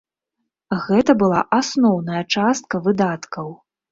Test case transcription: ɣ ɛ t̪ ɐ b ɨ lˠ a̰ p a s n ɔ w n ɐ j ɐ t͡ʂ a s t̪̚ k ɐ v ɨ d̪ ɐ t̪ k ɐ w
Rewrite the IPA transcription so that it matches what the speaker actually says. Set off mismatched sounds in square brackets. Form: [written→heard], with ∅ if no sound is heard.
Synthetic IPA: ɣ ɛ t̪ ɐ b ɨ lˠ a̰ [p→ʔ] a s n ɔ w n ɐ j ɐ t͡ʂ a s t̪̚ k ɐ v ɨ d̪ [ɐ→a] t̪ k ɐ w